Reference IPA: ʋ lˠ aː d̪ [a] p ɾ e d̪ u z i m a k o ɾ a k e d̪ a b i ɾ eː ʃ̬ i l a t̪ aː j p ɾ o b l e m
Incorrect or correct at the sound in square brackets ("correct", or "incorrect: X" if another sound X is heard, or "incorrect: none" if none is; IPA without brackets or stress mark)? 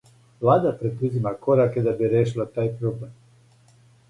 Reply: correct